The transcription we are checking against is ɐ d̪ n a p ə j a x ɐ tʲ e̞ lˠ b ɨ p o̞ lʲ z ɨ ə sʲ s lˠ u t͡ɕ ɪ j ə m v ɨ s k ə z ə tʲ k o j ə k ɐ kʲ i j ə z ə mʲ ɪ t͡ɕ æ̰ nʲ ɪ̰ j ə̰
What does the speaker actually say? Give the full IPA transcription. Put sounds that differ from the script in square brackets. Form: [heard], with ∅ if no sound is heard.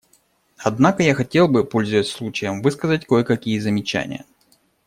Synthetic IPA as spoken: ɐ d̪ n a [k] ə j a x ɐ tʲ e̞ lˠ b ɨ p o̞ lʲ z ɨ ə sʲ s lˠ u t͡ɕ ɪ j ə m v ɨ s k ə z ə tʲ k o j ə k ɐ kʲ i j ə z ə mʲ ɪ t͡ɕ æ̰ nʲ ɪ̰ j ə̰